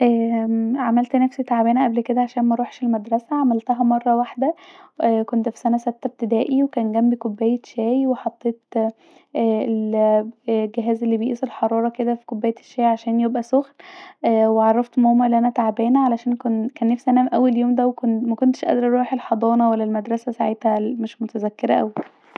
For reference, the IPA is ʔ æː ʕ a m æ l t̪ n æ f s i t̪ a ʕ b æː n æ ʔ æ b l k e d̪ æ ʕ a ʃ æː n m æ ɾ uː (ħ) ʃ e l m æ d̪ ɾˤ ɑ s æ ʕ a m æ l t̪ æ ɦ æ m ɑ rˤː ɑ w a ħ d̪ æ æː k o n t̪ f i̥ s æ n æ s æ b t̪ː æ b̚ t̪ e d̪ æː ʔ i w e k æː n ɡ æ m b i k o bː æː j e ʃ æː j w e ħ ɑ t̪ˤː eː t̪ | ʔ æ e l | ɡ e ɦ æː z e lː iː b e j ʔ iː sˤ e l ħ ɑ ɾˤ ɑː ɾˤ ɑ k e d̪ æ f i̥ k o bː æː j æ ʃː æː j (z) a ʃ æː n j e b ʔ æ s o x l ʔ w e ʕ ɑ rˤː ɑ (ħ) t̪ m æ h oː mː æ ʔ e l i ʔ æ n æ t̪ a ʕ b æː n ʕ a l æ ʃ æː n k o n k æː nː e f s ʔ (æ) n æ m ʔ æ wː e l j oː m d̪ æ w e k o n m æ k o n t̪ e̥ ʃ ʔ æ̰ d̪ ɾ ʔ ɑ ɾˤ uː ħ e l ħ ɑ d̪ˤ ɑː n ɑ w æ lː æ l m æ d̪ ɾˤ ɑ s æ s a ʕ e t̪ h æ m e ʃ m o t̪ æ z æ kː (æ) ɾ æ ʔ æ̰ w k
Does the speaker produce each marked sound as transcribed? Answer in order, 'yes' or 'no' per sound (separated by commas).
yes, no, no, yes, no